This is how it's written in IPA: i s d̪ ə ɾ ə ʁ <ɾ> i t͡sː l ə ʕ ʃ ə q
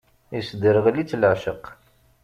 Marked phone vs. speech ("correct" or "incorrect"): incorrect